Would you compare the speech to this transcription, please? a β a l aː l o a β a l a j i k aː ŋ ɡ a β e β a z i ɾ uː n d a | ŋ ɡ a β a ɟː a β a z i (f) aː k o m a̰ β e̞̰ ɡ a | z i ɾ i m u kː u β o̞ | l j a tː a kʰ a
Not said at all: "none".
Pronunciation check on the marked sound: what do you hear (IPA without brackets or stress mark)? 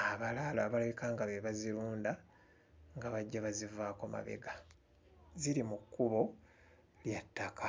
v